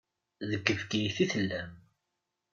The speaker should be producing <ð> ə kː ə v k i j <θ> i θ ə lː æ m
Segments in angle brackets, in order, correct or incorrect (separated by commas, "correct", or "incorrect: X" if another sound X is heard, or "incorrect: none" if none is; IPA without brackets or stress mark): correct, correct